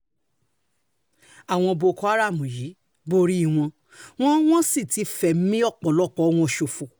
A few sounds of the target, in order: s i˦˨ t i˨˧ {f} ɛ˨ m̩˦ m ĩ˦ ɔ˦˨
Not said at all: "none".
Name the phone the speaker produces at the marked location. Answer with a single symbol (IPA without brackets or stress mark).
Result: f